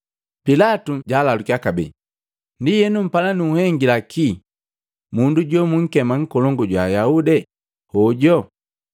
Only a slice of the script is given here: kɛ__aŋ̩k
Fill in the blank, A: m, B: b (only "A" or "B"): A